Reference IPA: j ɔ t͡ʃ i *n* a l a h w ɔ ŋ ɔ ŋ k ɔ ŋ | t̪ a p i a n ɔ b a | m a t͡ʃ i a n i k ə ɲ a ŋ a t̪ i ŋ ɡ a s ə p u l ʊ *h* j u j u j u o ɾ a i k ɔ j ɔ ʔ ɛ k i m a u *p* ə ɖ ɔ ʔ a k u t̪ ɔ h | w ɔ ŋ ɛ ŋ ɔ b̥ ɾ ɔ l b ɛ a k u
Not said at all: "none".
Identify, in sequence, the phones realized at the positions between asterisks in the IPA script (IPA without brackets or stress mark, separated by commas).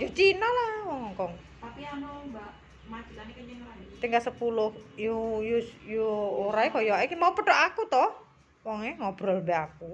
n, h, p